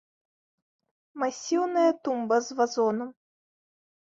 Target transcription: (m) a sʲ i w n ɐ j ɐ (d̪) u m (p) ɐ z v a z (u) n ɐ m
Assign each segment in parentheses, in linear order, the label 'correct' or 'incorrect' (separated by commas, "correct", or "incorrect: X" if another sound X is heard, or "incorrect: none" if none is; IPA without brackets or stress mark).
correct, incorrect: t̪, incorrect: b, incorrect: ɔ